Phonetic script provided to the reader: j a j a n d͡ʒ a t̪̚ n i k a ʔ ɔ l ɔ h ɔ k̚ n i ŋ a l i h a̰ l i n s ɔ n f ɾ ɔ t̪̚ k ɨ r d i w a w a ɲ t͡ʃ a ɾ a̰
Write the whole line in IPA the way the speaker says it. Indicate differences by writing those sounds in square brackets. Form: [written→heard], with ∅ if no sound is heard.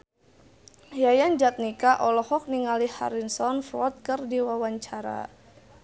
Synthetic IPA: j a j a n d͡ʒ a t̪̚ n i k a ʔ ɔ l ɔ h ɔ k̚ n i ŋ a l i h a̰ [l→ɾ] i n s ɔ n f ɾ ɔ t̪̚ k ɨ r d i w a w a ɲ t͡ʃ a ɾ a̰